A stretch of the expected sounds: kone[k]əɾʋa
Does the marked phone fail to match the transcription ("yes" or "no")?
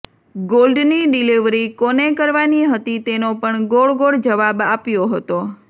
no